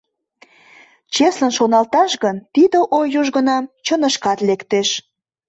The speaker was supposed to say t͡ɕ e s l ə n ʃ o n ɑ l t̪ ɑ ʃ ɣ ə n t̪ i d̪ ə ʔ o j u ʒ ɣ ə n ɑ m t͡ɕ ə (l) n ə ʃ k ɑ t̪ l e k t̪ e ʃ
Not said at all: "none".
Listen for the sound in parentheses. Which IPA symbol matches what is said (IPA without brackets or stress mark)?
none